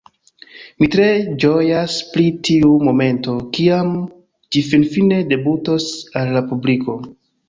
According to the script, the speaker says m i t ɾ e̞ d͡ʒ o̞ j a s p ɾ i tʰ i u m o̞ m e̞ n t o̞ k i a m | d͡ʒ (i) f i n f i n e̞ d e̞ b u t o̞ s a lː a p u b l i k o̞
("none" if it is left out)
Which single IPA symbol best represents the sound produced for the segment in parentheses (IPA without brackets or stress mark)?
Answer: i